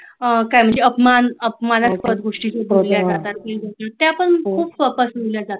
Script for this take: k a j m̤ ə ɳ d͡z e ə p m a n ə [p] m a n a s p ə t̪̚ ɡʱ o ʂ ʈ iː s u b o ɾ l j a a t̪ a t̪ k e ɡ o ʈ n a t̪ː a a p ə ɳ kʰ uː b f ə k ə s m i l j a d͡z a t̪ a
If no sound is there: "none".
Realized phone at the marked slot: p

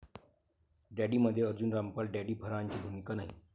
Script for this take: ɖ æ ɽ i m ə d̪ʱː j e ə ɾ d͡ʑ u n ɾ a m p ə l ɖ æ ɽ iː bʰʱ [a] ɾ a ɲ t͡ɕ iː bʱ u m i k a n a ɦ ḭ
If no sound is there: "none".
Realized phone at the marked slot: ə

